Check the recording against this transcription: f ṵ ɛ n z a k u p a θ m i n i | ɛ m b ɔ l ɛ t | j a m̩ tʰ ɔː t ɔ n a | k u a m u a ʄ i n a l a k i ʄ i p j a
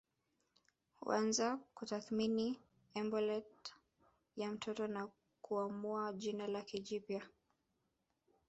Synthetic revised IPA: h ṵ a n z a k u t a θ m i n i | ɛ m b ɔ l ɛ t | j a m̩ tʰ ɔ t ɔ n a | k u a m u a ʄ i n a l a k i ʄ i p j a